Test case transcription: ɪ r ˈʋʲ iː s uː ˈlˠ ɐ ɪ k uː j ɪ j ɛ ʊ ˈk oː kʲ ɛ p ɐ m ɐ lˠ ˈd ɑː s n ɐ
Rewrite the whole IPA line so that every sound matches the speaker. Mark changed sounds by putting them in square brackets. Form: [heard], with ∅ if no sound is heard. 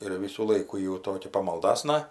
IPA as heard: ɪ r ˈʋʲ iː s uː ˈlˠ ɐ ɪ k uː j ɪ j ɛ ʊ [ˈt] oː kʲ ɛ p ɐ m ɐ lˠ ˈd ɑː s n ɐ

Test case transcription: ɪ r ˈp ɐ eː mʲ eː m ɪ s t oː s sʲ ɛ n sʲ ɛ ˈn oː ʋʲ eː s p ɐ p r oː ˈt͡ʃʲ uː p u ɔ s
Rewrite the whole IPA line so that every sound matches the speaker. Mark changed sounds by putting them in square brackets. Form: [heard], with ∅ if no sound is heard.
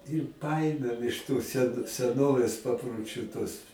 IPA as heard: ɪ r ˈp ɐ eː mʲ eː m ɪ [ʃ] t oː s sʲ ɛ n sʲ ɛ ˈn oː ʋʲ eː s p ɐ p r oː ˈt͡ʃʲ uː [t] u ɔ s

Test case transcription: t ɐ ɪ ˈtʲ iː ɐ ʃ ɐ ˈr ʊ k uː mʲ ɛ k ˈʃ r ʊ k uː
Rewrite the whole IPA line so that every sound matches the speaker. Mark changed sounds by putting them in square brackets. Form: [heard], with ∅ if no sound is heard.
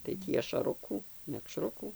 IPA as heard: t ɐ ɪ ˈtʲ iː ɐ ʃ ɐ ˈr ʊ k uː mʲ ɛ k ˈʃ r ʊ k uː

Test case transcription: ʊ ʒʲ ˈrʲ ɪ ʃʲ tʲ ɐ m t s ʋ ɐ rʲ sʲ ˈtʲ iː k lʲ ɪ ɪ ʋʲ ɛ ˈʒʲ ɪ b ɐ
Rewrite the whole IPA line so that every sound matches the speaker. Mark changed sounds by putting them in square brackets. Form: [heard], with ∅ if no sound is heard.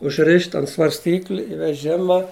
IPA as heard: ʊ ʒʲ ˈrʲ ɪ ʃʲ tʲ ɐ [n] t s ʋ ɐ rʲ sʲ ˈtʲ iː k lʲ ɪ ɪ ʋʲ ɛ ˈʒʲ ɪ [m] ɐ

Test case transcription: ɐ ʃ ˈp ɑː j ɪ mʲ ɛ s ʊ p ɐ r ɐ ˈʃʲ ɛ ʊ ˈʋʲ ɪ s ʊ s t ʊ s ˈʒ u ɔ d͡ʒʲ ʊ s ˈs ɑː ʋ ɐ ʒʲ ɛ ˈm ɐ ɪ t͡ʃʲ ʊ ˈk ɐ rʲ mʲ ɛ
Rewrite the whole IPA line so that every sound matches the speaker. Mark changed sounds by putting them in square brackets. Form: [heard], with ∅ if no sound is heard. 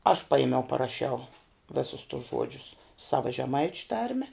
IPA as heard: ɐ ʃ ˈp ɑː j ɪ mʲ ɛ [∅] ʊ p ɐ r ɐ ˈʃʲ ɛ ʊ ˈʋʲ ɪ s ʊ s t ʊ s ˈʒ u ɔ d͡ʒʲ ʊ s ˈs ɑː ʋ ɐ ʒʲ ɛ ˈm ɐ ɪ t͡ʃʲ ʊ [ˈt] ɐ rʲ mʲ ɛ

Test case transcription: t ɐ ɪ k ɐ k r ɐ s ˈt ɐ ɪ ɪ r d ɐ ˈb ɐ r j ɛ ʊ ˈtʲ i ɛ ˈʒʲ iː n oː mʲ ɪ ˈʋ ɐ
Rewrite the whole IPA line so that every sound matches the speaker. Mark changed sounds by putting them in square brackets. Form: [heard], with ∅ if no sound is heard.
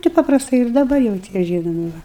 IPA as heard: t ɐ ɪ [p] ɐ [p] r ɐ s ˈt ɐ ɪ ɪ r d ɐ ˈb ɐ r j ɛ ʊ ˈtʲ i ɛ ˈʒʲ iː n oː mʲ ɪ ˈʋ ɐ

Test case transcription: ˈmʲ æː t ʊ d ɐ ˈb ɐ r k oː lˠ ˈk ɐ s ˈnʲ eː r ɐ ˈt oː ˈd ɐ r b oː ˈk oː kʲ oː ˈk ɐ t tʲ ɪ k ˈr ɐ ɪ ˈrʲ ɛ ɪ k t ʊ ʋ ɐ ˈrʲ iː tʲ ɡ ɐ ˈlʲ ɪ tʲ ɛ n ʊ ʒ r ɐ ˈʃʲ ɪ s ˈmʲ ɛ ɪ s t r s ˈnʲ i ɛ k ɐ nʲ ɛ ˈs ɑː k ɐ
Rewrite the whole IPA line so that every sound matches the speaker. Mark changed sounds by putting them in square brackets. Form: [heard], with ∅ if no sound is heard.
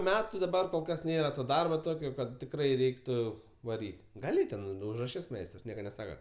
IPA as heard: ˈmʲ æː t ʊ d ɐ ˈb ɐ r k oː lˠ ˈk ɐ s ˈnʲ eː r ɐ ˈt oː ˈd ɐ r b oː [ˈt] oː kʲ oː ˈk ɐ t tʲ ɪ k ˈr ɐ ɪ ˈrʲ ɛ ɪ k t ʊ ʋ ɐ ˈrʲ iː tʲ ɡ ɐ ˈlʲ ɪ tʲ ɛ n ʊ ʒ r ɐ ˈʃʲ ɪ s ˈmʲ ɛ ɪ s t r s ˈnʲ i ɛ k ɐ nʲ ɛ ˈs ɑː k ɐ

